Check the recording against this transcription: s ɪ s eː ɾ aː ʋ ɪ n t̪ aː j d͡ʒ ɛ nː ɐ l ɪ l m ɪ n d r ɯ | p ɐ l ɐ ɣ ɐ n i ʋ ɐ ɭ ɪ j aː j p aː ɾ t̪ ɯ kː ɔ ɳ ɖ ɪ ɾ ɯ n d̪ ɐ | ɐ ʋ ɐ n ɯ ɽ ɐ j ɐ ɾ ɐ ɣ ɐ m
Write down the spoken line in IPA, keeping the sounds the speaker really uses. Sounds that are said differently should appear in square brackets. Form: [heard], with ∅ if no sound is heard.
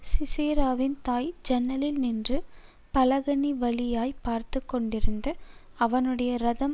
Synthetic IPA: s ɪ s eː ɾ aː ʋ ɪ n t̪ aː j d͡ʒ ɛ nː ɐ l ɪ l [n] ɪ n d r ɯ | p ɐ l ɐ ɣ ɐ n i ʋ ɐ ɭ ɪ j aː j p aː ɾ t̪ ɯ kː ɔ ɳ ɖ ɪ ɾ ɯ n d̪ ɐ | ɐ ʋ ɐ n ɯ ɽ ɐ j ɐ ɾ ɐ [ð] ɐ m